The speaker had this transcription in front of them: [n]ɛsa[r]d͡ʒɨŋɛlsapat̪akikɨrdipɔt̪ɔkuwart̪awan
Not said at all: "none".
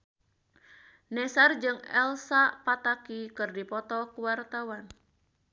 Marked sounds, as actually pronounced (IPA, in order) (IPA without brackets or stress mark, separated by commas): n, r